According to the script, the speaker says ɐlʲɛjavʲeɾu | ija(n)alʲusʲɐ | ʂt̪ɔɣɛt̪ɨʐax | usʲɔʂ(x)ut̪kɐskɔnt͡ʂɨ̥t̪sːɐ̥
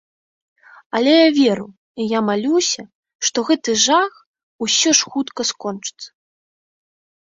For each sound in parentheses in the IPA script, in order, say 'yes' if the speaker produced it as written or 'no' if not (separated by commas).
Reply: no, yes